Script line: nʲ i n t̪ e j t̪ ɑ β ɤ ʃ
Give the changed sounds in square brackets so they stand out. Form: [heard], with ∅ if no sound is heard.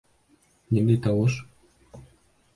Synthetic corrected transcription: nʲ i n [d̪] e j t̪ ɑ [w] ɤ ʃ